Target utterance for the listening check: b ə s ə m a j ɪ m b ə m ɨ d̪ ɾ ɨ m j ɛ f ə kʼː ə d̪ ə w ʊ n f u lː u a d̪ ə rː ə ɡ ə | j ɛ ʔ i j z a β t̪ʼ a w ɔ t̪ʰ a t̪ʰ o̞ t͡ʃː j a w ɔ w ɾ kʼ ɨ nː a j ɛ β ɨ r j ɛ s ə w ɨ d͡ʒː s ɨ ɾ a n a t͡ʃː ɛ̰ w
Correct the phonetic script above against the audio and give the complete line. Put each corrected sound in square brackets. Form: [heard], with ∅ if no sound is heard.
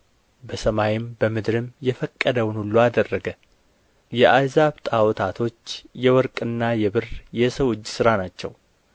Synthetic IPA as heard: b ə s ə m a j ɪ m b ə m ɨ d̪ ɾ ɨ m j ɛ f ə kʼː ə d̪ ə w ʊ n [h] u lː u a d̪ ə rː ə ɡ ə | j ɛ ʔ [a] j z a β t̪ʼ a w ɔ t̪ʰ a t̪ʰ o̞ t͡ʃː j [ɛ] w ɔ [∅] ɾ kʼ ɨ nː a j ɛ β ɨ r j ɛ s ə w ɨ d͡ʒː s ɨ ɾ a n a t͡ʃː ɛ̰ w

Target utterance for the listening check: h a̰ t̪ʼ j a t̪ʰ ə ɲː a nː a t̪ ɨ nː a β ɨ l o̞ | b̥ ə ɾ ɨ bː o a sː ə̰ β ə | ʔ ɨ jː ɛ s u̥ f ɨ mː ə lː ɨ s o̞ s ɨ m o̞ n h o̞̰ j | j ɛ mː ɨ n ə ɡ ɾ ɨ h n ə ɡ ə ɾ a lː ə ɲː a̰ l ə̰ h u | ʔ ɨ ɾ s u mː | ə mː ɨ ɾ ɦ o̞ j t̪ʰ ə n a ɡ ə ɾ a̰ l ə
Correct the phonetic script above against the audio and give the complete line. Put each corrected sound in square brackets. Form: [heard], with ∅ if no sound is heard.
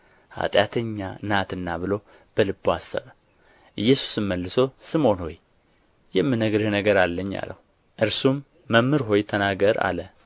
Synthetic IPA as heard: h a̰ t̪ʼ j a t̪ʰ ə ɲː a [n] a t̪ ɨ nː a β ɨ l o̞ | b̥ ə [l] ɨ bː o a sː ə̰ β ə | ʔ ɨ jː ɛ s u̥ [s] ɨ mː ə lː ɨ s o̞ s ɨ m o̞ n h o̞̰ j | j ɛ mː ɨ n ə ɡ ɾ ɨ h n ə ɡ ə ɾ a lː ə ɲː a̰ l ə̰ h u | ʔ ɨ ɾ s u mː | ə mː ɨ ɾ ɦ o̞ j t̪ʰ ə n a ɡ ə ɾ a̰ l ə

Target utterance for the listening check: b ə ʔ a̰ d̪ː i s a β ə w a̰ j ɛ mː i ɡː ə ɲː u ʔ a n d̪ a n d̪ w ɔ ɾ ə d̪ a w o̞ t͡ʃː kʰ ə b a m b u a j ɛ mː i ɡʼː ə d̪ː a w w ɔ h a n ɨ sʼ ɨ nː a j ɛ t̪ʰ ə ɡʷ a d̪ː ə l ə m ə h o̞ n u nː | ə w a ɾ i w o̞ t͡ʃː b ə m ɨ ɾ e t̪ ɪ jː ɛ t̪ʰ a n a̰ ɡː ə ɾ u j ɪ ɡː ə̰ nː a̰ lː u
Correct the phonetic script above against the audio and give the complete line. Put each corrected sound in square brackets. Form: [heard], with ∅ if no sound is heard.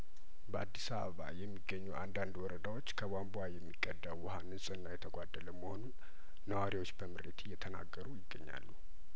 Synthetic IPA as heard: b ə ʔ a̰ d̪ː i s a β ə [β] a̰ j ɛ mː i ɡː ə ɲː u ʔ a n d̪ a n d̪ w ɔ ɾ ə d̪ a w o̞ t͡ʃː kʰ ə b a m b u a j ɛ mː i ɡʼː ə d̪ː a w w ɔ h a n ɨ sʼ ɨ nː a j ɛ t̪ʰ ə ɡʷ a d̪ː ə l ə m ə h o̞ n u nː | ə w a ɾ i w o̞ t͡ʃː b ə m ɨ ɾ e t̪ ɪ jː ɛ t̪ʰ [ə] n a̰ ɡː ə ɾ u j ɪ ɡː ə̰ [ɲː] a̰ lː u

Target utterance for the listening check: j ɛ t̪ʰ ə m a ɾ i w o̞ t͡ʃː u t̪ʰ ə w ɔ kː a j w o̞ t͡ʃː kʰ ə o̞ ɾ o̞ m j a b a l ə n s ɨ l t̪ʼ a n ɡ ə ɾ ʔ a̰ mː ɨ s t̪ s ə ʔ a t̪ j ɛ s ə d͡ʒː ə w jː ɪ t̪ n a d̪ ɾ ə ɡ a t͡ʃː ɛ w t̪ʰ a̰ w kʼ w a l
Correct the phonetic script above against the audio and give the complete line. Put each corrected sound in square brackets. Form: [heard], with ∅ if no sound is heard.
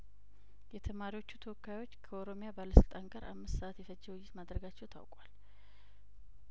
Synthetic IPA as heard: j ɛ t̪ʰ ə m a ɾ i w o̞ t͡ʃː u t̪ʰ ə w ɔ kː a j w o̞ t͡ʃː kʰ ə o̞ ɾ o̞ m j a b a l ə [∅] s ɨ l t̪ʼ a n ɡ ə ɾ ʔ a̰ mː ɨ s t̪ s ə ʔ a t̪ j ɛ [f] ə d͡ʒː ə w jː ɪ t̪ [m] a d̪ ɾ ə ɡ a t͡ʃː ɛ w t̪ʰ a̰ w kʼ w a l

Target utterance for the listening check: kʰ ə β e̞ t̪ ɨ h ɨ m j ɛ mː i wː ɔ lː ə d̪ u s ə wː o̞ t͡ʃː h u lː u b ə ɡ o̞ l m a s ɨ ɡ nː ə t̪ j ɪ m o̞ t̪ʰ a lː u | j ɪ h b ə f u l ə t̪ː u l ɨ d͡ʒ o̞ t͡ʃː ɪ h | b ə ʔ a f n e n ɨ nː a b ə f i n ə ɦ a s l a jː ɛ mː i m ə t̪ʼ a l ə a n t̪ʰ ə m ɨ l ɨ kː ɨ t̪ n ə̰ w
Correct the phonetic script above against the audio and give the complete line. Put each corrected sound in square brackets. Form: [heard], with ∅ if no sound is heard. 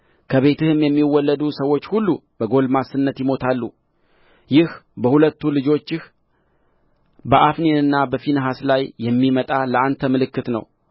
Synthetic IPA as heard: kʰ ə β e̞ t̪ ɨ h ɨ m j ɛ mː i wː ɔ lː ə d̪ u s ə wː o̞ t͡ʃː h u lː u b ə ɡ o̞ l m a s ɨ [∅] nː ə t̪ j ɪ m o̞ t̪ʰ a lː u | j ɪ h b ə [h] u l ə t̪ː u l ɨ d͡ʒ o̞ t͡ʃː ɪ h | b ə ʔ a f n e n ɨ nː a b ə f i n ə ɦ a s l a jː ɛ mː i m ə t̪ʼ a l ə a n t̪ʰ ə m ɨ l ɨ kː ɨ t̪ n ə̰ w

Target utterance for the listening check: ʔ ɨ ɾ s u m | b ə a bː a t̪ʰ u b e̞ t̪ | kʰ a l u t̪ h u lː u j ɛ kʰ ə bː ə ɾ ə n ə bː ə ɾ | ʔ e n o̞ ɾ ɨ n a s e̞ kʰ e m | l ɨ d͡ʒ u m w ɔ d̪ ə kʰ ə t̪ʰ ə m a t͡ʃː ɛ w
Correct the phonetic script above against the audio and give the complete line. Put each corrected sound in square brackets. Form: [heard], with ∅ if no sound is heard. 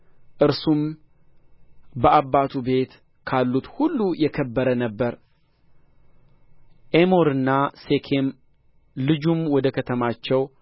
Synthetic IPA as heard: ʔ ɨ ɾ s u m | b ə a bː a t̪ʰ u b e̞ t̪ | kʰ a [lː] u t̪ h u lː u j ɛ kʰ ə bː ə ɾ ə n ə bː ə ɾ | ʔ e [m] o̞ ɾ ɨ [nː] a s e̞ kʰ e m | l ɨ d͡ʒ u m w ɔ d̪ ə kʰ ə t̪ʰ ə m a t͡ʃː ɛ w

